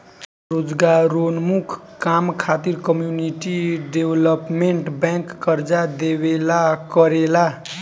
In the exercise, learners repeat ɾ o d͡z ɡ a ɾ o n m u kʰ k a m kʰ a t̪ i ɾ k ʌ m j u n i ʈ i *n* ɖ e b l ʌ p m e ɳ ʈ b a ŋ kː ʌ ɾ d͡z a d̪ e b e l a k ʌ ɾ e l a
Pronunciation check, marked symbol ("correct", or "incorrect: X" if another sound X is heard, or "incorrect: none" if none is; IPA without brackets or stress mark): incorrect: none